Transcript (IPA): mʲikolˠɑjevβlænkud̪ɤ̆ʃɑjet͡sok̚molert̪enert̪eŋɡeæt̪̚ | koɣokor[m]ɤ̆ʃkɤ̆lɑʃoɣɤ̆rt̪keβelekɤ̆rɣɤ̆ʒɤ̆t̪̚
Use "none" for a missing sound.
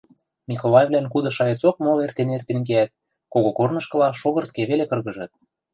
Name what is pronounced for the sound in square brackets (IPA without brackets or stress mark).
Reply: n